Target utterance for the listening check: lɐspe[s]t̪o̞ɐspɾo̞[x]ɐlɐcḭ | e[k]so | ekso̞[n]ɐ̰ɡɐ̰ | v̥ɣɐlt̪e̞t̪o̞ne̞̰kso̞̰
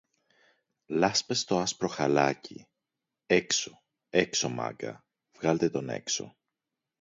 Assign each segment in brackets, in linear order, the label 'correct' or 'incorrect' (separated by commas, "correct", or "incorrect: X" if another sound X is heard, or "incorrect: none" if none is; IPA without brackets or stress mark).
correct, correct, correct, incorrect: m